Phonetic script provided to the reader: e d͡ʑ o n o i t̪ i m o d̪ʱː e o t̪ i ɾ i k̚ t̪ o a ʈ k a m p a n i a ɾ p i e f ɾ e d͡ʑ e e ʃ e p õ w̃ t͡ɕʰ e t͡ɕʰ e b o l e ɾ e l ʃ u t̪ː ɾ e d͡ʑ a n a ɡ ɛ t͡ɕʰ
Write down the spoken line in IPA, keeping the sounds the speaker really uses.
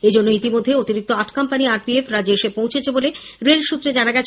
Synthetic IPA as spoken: e d͡ʑ o nː o i t̪ i m o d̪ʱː e o t̪ i ɾ i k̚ t̪ o a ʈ k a m p a n i a ɾ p i e f ɾ a d͡ʑ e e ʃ e p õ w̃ t͡ɕʰ e t͡ɕʰ e b o l e ɾ e l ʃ u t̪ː ɾ e d͡ʑ a n a ɡ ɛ t͡ɕʰ